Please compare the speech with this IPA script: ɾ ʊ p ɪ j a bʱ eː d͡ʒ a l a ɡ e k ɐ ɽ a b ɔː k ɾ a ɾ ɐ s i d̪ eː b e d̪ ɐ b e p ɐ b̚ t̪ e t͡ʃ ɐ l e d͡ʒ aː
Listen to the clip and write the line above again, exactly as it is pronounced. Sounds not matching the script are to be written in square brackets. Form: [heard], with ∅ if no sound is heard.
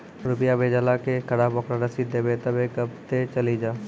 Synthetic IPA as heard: ɾ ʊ p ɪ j a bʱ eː d͡ʒ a l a [k] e k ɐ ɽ a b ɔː k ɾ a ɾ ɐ s i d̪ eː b e [t̪] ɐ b e [k] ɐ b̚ t̪ e t͡ʃ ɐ l [i] d͡ʒ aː